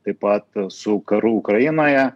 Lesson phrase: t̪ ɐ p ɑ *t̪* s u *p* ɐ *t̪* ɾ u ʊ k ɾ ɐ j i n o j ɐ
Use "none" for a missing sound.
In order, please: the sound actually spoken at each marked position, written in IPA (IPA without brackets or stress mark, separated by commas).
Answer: t̪, k, none